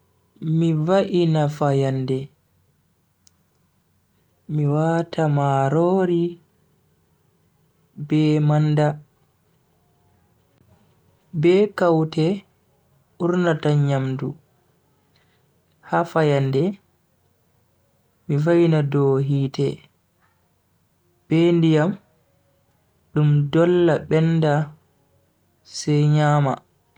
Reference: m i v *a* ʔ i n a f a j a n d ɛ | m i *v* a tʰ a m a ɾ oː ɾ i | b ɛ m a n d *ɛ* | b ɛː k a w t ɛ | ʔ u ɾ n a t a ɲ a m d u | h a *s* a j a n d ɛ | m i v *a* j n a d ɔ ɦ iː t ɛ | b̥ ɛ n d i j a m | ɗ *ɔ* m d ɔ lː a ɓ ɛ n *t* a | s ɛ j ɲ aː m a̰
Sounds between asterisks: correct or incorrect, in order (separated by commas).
correct, incorrect, incorrect, incorrect, correct, incorrect, incorrect